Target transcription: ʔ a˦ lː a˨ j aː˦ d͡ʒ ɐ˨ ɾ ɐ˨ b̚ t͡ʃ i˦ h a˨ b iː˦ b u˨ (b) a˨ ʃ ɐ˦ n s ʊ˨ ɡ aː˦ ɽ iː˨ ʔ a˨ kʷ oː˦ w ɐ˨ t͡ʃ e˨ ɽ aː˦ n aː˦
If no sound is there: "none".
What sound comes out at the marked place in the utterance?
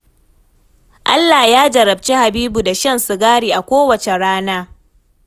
d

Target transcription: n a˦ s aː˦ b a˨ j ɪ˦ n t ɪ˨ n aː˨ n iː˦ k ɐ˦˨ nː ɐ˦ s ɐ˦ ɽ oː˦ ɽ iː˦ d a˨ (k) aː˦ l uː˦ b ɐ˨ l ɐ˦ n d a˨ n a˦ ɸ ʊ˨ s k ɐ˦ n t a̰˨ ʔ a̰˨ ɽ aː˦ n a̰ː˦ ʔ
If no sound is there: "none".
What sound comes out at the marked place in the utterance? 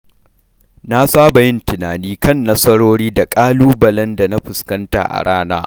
kʼ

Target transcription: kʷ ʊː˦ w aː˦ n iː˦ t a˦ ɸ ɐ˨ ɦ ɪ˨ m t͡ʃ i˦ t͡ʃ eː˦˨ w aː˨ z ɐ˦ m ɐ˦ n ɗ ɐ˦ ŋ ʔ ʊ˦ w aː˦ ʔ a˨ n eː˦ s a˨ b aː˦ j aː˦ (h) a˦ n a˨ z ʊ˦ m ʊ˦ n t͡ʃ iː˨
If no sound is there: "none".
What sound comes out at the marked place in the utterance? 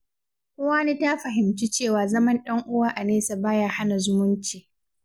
h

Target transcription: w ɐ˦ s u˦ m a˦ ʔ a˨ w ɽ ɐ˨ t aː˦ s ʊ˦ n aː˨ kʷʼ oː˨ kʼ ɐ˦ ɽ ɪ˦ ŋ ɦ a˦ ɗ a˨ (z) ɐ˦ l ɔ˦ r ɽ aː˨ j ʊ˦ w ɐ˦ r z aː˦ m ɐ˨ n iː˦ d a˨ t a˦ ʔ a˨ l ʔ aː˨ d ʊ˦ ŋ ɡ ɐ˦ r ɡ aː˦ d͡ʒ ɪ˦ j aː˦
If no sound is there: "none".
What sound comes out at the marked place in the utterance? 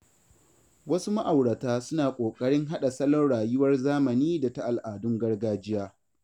s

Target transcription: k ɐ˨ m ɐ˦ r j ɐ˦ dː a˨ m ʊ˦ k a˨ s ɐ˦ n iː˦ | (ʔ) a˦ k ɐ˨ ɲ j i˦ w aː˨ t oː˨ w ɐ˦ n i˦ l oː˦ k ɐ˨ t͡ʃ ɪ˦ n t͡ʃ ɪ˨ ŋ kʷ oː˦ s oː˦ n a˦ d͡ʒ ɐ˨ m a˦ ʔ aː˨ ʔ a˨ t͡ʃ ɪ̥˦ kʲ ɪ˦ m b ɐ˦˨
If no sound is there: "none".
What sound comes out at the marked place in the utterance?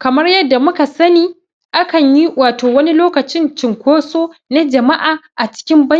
ʔ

